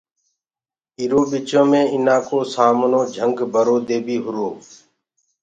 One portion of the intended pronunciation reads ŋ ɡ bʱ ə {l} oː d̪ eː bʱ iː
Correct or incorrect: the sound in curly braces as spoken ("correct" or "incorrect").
incorrect